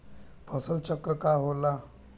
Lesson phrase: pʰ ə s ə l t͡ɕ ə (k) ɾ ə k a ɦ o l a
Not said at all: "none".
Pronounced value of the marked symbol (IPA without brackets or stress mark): k